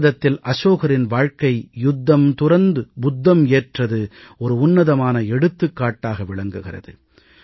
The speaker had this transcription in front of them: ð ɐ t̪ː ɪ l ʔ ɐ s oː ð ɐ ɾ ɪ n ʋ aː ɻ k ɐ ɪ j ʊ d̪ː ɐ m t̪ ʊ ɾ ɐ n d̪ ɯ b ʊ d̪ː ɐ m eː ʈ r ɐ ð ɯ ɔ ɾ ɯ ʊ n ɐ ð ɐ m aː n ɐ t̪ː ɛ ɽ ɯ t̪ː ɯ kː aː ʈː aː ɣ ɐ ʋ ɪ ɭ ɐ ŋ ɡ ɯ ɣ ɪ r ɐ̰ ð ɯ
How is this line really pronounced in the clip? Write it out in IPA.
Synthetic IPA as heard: ð ɐ t̪ː ɪ l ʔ ɐ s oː ɣ ɐ ɾ ɪ n ʋ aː ɻ k ɐ ɪ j ʊ d̪ː ɐ m t̪ ʊ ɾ ɐ n d̪ ɯ b ʊ d̪ː ɐ m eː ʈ r ɐ ð ɯ ɔ ɾ ɯ ʊ nː ɐ ð ɐ m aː n ɐ ɛ ɽ ɯ t̪ː ɯ kː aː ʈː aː ɣ ɐ ʋ ɪ ɭ ɐ ŋ ɡ ɯ ɣ ɪ r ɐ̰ ð ɯ